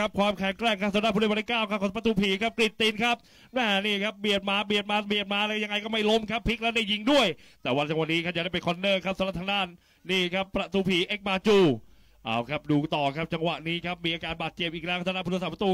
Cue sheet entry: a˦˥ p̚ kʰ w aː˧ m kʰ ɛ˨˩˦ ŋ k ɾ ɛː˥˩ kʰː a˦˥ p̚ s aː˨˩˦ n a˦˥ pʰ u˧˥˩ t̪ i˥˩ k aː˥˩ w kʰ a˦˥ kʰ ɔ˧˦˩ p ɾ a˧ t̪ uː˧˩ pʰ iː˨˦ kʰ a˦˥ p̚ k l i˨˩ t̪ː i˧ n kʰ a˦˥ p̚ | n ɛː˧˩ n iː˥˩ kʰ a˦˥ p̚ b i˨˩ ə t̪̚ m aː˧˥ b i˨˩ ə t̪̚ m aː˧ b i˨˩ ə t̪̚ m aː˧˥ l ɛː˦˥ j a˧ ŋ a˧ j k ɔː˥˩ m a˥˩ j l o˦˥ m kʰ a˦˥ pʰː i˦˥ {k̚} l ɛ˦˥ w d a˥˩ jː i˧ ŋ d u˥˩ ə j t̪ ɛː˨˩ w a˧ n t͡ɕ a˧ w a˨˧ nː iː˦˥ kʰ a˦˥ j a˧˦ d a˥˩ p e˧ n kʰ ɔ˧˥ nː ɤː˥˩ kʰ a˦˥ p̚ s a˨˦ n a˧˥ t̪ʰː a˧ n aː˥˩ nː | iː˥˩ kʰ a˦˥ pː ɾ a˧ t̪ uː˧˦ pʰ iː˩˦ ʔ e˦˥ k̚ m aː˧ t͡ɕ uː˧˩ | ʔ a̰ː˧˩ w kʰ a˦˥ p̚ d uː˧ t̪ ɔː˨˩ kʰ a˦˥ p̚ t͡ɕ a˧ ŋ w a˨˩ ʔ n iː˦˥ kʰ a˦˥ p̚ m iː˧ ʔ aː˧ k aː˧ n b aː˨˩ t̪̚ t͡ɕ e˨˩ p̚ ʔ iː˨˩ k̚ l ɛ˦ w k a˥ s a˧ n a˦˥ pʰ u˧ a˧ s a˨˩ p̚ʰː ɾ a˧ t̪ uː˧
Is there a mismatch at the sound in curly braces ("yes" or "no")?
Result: no